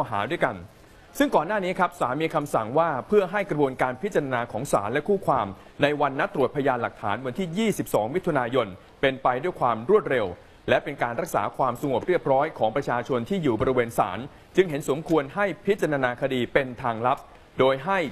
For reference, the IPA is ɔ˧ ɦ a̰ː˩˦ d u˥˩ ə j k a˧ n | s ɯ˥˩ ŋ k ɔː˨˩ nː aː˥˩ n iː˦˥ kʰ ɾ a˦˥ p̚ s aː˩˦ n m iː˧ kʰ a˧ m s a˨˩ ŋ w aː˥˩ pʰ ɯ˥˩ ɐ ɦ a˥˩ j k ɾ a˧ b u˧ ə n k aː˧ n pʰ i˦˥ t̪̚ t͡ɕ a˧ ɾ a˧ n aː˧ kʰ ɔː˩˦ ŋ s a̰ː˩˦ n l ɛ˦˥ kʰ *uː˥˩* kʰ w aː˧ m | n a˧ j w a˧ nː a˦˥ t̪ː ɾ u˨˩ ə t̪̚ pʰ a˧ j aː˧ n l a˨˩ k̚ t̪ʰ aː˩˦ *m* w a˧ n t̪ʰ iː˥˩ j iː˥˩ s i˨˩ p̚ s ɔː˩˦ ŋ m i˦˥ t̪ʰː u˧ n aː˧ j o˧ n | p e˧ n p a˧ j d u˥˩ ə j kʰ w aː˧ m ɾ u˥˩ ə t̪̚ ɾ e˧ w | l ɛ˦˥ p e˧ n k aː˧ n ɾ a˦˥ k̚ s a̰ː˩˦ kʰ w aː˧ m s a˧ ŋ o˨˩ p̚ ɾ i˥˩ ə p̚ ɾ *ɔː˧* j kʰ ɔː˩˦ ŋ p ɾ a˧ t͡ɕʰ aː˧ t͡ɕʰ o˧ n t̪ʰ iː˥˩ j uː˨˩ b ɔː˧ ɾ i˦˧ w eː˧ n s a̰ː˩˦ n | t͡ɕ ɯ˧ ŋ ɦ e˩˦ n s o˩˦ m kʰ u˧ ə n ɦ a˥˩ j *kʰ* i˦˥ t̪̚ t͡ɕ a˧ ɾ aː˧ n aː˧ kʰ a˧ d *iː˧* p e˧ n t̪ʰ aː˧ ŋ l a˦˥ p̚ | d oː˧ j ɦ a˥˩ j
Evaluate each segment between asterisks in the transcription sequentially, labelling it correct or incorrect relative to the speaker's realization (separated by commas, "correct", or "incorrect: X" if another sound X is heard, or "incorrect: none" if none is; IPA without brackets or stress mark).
correct, incorrect: n, incorrect: ɔː˦˥, incorrect: pʰ, correct